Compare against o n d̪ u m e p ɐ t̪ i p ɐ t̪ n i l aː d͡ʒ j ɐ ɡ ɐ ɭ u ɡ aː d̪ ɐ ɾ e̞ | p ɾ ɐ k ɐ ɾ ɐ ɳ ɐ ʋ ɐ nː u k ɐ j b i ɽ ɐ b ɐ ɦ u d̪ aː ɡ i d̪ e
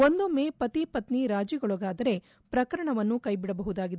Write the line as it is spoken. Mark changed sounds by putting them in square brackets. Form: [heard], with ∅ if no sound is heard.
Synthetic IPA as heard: o n d̪ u m e p ɐ t̪ i p ɐ t̪ n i [ɾ] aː d͡ʒ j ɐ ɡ ɐ ɭ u ɡ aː d̪ ɐ ɾ e̞ | p ɾ ɐ k ɐ ɾ ɐ ɳ ɐ ʋ ɐ nː u k ɐ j b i ɽ ɐ b ɐ ɦ u d̪ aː ɡ i d̪ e